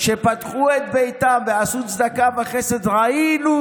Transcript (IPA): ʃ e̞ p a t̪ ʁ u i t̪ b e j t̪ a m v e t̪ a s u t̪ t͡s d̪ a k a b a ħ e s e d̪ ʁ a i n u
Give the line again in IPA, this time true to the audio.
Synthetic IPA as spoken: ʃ e̞ p a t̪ χ u e t̪ b e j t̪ a m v e a s u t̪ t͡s d̪ a k a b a χ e s e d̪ ʁ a i n u